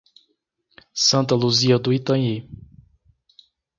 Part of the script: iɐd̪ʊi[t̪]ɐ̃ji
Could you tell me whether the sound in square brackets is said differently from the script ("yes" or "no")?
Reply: no